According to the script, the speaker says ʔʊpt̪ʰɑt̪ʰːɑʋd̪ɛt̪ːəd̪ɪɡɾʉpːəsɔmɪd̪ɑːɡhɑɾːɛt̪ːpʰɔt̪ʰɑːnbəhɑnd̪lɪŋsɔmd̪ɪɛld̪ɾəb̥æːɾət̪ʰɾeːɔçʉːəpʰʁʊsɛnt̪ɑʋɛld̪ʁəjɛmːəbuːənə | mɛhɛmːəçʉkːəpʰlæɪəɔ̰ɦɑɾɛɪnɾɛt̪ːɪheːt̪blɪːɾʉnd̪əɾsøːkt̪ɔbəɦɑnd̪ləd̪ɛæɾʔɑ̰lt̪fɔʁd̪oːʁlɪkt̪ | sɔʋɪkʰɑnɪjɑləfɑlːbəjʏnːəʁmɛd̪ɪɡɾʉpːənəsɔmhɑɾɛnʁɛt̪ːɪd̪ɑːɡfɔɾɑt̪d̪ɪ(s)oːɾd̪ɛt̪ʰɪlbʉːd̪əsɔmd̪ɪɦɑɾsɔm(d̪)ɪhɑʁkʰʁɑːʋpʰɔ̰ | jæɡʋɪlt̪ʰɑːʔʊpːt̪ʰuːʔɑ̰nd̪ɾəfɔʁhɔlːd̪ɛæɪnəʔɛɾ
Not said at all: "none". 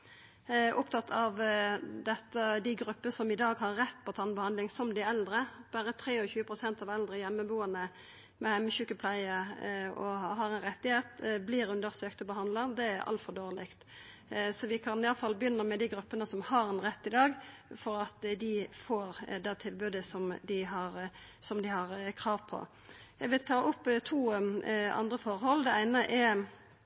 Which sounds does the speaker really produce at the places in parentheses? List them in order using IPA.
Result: f, d̪

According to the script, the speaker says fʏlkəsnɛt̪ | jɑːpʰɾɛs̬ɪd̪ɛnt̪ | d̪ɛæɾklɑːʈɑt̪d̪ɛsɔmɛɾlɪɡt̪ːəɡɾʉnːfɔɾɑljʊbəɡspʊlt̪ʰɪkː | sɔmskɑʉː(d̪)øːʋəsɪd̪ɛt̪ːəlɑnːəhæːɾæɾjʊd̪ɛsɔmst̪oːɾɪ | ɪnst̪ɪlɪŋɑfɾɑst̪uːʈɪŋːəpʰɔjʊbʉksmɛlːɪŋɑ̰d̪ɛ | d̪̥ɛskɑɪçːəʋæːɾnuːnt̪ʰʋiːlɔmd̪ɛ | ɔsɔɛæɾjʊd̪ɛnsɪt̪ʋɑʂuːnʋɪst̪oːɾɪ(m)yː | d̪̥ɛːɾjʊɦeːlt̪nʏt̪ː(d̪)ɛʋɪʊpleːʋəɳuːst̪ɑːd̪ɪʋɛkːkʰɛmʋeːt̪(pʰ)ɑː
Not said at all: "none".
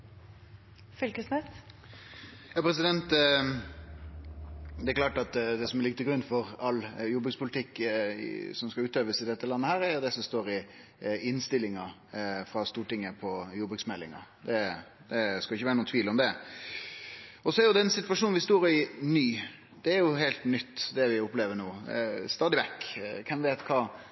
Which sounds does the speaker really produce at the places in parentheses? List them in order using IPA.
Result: t̪, n, d̪, kʰ

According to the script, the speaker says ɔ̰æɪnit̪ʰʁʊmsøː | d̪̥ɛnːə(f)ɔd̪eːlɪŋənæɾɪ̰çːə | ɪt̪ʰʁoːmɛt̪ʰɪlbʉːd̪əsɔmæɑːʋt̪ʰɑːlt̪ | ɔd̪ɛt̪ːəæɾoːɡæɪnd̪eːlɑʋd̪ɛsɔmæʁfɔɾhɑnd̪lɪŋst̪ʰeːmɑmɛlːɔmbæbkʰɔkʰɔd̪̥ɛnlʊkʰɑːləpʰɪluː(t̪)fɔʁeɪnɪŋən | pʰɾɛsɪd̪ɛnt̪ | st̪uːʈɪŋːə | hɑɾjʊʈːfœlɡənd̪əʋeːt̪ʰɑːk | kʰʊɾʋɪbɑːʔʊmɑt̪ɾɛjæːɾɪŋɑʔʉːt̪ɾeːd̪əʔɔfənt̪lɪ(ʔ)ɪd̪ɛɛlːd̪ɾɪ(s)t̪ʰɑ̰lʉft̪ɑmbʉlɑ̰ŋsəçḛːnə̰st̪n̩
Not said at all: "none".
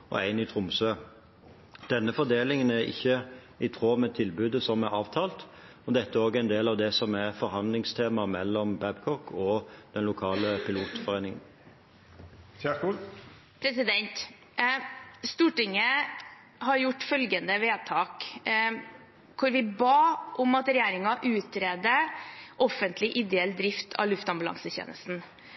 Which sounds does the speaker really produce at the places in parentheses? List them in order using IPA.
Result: f, t̪, ʔ, f

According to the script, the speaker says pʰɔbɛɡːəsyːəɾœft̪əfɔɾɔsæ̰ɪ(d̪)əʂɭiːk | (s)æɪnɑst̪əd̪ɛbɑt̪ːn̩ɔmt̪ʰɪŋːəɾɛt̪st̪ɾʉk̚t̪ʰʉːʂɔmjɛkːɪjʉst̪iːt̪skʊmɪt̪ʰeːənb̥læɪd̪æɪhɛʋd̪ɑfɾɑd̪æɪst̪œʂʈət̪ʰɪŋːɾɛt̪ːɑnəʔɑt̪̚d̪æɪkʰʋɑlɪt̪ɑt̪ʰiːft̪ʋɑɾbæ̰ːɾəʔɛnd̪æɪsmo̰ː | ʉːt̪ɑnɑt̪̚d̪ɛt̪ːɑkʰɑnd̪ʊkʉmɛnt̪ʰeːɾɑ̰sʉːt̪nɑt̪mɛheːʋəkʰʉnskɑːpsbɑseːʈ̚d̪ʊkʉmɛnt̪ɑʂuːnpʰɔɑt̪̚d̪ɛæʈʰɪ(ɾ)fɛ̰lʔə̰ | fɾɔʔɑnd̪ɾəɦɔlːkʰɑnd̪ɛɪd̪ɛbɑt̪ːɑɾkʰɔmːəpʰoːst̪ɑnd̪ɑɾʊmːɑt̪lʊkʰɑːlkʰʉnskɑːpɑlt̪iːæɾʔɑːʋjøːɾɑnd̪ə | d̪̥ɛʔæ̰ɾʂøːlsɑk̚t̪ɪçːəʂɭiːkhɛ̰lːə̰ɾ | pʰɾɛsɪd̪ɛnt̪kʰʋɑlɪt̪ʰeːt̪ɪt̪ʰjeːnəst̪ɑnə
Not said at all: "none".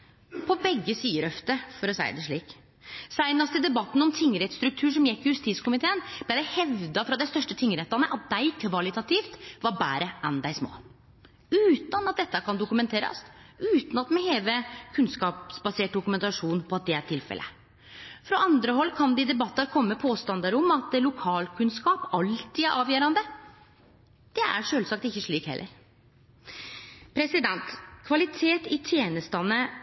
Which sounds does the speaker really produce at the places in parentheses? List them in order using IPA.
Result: d̪, s, l

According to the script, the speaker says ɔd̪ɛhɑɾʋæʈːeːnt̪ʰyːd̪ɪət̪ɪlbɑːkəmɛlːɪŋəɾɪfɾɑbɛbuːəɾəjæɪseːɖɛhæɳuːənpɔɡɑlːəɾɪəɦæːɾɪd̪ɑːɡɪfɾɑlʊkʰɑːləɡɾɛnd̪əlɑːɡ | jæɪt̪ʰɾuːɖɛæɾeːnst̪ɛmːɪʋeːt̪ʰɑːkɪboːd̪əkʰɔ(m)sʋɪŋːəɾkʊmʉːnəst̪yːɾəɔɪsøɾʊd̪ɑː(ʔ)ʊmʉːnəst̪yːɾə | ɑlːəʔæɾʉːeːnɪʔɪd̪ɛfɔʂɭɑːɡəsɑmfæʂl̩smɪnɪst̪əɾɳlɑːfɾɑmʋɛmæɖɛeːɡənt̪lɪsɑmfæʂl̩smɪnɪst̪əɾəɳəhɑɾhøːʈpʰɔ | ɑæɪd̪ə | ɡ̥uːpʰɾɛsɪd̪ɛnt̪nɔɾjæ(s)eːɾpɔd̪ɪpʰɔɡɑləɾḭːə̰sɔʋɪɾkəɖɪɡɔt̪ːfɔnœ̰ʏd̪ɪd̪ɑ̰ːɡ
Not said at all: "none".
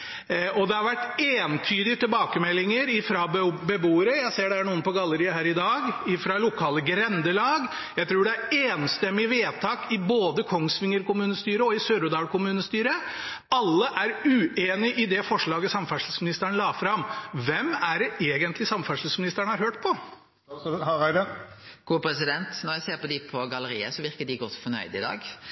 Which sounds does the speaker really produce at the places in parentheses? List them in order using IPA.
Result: ŋ, k, s

